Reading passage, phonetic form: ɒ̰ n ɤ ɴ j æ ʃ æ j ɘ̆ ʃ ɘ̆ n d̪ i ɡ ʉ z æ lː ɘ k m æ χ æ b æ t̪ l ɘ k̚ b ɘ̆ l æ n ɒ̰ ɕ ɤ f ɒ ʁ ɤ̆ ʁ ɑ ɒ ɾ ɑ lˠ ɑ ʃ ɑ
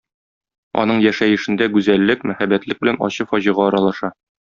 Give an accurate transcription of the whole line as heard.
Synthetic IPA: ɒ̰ n ɤ ɴ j æ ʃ æ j ɘ̆ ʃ ɘ̆ n d̪ æ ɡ ʉ z æ lː ɘ k m æ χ æ b æ t̪ l ɘ k̚ b ɘ̆ l æ n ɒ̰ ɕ ɤ f ɒ ʑ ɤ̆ ʁ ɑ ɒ ɾ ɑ lˠ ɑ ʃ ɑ